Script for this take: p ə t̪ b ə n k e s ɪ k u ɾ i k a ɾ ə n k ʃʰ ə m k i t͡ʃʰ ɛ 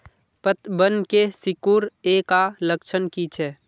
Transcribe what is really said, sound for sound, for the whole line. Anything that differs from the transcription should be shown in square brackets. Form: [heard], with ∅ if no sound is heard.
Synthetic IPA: p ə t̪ b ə n k e s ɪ k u ɾ [e] k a [l] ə [∅] k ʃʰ ə [n] k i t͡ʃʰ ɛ